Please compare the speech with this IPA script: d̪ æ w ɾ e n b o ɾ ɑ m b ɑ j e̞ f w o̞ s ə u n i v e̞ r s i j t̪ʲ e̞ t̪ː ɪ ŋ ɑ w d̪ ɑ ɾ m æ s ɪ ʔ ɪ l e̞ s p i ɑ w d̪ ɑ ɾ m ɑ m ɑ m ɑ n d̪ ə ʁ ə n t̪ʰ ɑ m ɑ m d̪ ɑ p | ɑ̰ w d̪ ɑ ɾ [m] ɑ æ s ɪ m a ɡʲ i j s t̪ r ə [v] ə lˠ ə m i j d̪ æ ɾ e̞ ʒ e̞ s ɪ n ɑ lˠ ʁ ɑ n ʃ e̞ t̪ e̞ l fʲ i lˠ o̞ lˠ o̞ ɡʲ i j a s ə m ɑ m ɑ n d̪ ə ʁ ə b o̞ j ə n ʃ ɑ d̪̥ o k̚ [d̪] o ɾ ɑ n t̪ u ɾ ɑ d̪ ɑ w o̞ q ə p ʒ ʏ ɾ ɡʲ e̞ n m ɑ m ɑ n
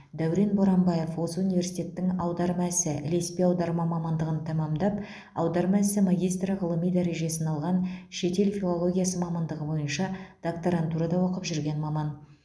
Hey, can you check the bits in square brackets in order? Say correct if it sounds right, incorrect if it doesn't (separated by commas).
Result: correct, incorrect, incorrect